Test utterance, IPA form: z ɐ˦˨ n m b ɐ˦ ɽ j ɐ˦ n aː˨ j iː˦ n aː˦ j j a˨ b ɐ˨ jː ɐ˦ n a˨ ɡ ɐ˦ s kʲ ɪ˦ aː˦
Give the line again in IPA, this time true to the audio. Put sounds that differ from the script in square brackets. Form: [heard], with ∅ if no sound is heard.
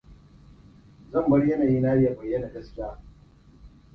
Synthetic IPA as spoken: z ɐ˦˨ [∅] m b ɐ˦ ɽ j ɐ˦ n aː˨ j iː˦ n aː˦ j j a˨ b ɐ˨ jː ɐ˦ n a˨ ɡ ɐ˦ s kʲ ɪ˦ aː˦